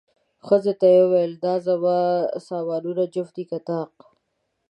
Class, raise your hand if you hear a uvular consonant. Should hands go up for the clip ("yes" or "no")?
yes